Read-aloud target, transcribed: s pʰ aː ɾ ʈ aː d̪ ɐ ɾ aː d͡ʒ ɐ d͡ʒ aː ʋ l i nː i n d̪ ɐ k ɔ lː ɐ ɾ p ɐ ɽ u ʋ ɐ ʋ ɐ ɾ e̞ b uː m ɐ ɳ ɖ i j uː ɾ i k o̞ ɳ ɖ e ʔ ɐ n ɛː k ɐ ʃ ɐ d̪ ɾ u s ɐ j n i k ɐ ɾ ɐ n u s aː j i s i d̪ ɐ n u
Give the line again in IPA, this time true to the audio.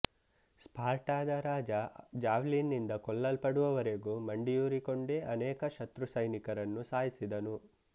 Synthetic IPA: s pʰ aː ɾ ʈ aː d̪ ɐ ɾ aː d͡ʒ ɐ d͡ʒ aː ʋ l i nː i n d̪ ɐ k ɔ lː ɐ l p ɐ ɽ u ʋ ɐ ʋ ɐ ɾ e̞ ɡ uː m ɐ ɳ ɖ i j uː ɾ i k o̞ ɳ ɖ e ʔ ɐ n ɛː k ɐ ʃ ɐ t̪ ɾ u s ɐ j n i k ɐ ɾ ɐ nː u s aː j i s i d̪ ɐ n u